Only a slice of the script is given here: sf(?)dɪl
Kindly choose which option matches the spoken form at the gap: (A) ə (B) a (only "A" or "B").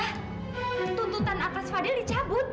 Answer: B